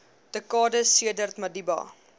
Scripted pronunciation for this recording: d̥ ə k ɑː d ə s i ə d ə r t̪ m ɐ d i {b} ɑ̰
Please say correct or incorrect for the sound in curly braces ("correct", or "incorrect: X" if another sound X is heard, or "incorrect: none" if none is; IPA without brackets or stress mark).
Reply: correct